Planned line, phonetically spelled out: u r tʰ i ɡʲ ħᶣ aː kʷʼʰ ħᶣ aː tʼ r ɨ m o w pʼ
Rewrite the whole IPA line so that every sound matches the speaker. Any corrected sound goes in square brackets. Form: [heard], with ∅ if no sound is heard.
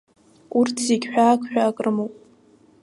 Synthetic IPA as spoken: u r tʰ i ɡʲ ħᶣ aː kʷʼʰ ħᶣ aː [kʼ] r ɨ m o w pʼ